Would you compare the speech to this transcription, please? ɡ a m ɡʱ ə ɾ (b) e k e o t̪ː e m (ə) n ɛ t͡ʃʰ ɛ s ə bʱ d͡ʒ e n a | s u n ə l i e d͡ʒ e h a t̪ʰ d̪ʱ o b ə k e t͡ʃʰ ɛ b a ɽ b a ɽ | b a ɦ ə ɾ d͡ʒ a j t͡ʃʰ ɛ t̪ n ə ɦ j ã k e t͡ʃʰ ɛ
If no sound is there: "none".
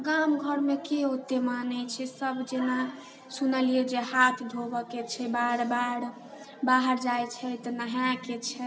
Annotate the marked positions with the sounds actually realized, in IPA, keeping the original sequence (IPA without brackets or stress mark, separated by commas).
m, a